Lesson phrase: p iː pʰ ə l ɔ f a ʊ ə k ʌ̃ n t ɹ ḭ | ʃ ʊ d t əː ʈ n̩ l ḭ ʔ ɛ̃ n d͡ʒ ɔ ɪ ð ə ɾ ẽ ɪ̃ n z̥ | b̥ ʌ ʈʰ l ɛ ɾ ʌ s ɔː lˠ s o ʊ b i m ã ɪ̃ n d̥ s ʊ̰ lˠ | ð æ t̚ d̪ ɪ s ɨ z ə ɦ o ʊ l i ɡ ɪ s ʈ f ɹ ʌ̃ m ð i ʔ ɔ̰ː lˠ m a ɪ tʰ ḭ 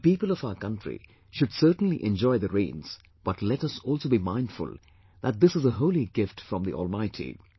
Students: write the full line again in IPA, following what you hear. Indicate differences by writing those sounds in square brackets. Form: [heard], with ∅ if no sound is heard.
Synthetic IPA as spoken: p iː [p] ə l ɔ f a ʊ ə k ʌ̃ n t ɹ ḭ | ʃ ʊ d [s] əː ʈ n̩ l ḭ ʔ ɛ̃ n d͡ʒ ɔ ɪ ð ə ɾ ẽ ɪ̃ n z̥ | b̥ ʌ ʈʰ l ɛ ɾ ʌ s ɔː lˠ s o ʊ b i m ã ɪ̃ n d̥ [f] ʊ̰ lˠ | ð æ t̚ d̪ ɪ s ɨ z ə ɦ o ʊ l i ɡ ɪ [f] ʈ f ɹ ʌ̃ m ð i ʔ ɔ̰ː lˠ m a ɪ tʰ ḭ